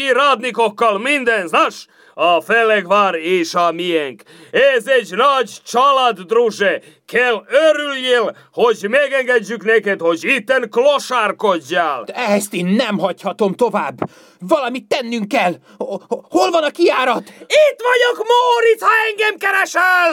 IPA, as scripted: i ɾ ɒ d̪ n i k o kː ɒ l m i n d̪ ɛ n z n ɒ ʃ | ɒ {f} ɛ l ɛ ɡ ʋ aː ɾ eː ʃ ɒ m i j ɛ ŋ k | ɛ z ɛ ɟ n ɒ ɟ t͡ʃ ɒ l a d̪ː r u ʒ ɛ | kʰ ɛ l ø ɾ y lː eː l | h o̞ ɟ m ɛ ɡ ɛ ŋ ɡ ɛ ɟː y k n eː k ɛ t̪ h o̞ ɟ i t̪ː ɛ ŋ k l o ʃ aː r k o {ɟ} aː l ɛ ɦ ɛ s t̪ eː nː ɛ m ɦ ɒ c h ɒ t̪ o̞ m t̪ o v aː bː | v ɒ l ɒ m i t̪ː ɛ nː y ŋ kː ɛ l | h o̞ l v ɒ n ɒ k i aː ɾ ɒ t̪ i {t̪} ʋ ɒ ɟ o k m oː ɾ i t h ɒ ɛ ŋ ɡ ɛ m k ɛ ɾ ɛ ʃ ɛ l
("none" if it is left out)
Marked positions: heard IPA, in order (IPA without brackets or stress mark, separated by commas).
f, ɟː, t̪